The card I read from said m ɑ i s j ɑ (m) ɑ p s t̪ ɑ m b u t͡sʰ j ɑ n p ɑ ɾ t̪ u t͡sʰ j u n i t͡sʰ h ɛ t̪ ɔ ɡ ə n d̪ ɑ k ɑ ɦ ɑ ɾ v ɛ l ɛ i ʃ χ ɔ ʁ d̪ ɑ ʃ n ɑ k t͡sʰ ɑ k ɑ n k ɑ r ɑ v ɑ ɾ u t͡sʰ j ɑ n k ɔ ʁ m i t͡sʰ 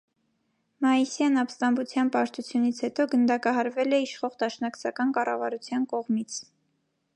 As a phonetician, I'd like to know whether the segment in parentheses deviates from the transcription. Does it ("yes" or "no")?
yes